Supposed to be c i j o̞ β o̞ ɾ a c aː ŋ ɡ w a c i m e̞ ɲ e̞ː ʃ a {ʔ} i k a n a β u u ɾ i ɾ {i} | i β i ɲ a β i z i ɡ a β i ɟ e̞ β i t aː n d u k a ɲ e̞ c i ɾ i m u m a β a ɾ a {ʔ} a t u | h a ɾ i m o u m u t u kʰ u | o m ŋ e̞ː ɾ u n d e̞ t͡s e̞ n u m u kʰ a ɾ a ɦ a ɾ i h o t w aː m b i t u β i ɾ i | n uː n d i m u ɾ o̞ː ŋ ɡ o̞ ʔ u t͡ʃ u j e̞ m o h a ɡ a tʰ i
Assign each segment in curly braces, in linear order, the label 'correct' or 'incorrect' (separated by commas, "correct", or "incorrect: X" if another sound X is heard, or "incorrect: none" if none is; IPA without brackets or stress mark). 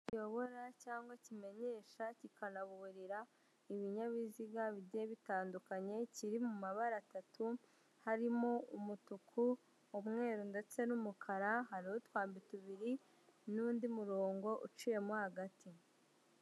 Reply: incorrect: c, incorrect: a, incorrect: t